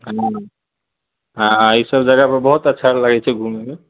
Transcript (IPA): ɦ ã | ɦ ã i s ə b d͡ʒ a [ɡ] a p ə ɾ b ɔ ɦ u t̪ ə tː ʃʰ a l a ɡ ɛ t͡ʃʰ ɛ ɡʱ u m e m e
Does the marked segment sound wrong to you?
no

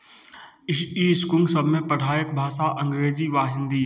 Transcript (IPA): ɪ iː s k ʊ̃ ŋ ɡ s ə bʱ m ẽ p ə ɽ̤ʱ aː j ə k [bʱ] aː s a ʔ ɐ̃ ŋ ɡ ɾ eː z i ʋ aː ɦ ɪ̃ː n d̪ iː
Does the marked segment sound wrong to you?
no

